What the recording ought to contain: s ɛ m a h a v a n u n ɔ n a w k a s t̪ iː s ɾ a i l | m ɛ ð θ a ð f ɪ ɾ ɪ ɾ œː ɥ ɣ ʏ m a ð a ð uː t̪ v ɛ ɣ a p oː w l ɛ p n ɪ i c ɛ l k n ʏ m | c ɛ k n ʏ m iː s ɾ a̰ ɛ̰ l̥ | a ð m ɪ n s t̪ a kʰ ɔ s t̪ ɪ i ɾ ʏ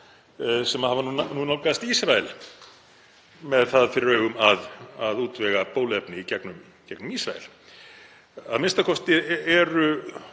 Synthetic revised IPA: s ɛ m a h a v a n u n u n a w k a s t̪ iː s ɾ a ɛ l | m ɛ ð θ a ð f ɪ ɾ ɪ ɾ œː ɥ ɣ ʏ m a ð a ð uː t̪ v ɛ ɣ a p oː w l ɛ p n ɪ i c ɛ k n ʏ m | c ɛ k n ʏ m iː s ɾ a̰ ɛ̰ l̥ | a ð m ɪ n s t̪ a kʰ ɔ s t̪ ɪ ɛ ɾ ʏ